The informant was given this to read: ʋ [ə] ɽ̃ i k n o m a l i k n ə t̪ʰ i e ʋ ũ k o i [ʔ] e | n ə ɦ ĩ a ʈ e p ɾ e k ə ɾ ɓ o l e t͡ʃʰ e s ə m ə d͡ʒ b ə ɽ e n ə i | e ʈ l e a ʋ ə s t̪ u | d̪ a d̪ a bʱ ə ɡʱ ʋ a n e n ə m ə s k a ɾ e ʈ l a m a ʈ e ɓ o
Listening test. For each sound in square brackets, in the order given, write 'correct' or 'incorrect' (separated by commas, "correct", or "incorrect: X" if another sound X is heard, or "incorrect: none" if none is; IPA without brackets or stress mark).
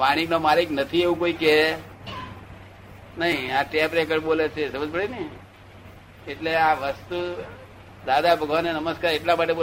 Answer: incorrect: a, incorrect: k